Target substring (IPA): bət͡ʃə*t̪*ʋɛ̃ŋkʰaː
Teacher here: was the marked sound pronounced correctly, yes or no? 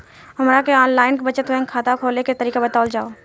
yes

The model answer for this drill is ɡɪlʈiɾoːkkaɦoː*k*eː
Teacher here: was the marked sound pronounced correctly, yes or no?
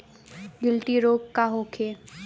no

